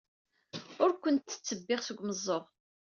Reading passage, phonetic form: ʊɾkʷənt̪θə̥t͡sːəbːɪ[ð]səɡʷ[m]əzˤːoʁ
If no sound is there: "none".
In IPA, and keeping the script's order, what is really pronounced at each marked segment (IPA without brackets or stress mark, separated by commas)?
ʁ, m